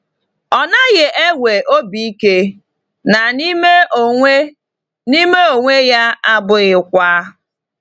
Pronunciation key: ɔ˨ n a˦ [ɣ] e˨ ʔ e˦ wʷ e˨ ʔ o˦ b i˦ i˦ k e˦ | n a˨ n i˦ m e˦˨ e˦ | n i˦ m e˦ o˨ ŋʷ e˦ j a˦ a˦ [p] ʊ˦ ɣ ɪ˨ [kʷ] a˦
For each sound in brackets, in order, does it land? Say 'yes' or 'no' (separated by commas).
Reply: yes, no, yes